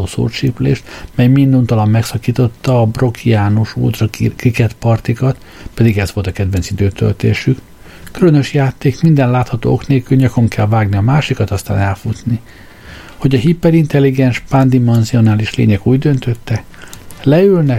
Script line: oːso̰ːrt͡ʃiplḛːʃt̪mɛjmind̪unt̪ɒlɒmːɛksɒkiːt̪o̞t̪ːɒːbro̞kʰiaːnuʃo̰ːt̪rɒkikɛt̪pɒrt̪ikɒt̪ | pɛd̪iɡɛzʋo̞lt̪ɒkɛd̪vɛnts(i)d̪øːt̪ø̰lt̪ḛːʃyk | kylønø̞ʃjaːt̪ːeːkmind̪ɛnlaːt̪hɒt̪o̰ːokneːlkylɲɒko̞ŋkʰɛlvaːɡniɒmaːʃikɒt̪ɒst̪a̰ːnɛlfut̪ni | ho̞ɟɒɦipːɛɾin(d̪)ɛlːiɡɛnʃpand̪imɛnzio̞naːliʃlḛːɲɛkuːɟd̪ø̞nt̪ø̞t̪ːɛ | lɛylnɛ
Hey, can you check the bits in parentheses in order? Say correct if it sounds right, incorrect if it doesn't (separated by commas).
correct, incorrect